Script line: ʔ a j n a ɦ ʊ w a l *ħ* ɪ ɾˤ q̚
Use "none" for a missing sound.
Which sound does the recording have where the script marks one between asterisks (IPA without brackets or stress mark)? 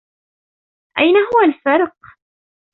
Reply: f